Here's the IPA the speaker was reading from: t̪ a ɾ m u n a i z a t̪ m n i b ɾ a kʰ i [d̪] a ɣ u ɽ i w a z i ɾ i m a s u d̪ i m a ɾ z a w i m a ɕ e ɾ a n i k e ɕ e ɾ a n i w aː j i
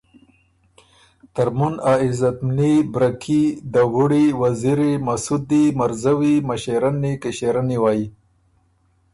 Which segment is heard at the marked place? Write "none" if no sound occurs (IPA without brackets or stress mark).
d̪